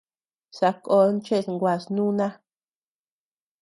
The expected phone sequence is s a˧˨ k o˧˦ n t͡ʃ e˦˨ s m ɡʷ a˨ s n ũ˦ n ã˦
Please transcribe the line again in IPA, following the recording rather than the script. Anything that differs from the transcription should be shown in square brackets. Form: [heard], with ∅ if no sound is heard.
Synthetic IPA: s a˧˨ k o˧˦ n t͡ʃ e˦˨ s [ŋ] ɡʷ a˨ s n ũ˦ n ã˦